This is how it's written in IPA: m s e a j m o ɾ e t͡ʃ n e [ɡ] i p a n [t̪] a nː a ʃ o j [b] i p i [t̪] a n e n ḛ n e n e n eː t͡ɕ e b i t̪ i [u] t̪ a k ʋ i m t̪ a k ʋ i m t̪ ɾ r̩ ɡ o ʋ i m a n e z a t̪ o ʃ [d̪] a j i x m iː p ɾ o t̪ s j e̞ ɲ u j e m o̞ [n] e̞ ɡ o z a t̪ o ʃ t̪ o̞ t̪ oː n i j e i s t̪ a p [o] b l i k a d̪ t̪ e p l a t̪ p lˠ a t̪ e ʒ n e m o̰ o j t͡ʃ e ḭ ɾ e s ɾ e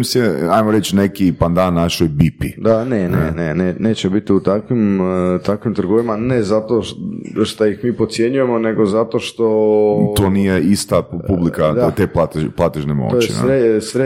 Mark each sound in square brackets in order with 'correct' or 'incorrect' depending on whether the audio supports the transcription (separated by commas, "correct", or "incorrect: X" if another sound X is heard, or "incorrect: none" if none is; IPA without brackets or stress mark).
incorrect: k, incorrect: d̪, correct, incorrect: d̪, correct, incorrect: t̪, correct, incorrect: u